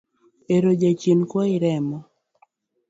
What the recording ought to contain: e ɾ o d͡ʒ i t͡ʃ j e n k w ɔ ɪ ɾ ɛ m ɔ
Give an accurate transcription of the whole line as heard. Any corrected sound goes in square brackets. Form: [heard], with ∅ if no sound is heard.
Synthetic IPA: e ɾ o d͡ʒ [a] t͡ʃ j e n k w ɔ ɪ ɾ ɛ m ɔ